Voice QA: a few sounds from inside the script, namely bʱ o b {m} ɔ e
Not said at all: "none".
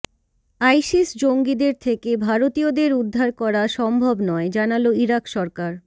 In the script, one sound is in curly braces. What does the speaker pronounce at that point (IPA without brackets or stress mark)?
n